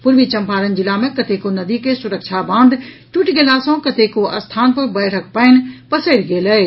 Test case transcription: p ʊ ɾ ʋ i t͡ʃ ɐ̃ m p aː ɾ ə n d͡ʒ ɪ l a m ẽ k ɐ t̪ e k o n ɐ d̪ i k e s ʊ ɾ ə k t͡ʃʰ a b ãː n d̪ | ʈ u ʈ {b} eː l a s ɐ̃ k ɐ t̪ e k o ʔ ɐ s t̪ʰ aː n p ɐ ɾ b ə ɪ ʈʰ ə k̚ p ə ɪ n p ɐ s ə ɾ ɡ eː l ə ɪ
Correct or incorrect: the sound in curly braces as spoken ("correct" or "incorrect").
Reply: incorrect